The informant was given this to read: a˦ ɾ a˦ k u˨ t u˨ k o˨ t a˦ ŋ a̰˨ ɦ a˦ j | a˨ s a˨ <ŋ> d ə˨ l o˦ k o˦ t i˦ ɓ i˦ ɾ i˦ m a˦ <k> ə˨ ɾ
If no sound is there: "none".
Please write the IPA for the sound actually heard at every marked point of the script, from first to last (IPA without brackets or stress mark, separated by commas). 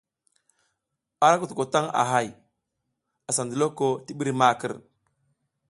n, k